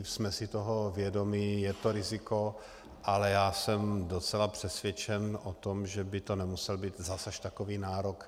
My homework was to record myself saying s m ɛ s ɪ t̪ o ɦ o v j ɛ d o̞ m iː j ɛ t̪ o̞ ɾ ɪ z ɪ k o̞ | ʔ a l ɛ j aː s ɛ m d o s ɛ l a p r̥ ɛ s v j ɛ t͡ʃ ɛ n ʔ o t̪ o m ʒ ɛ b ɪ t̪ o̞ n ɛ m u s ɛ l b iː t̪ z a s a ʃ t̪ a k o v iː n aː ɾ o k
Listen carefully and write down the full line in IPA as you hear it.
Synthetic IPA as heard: s m ɛ s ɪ t̪ o ɦ o v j ɛ d o̞ m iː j ɛ t̪ o̞ ɾ ɪ z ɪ k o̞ | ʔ a l ɛ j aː s ɛ m d o t͡s ɛ l a p r̥ ɛ s v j ɛ t͡ʃ ɛ n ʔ o t̪ o m ʒ ɛ b ɪ t̪ o̞ n ɛ m u s ɛ l b iː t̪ z a s a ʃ t̪ a k o v iː n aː ɾ o k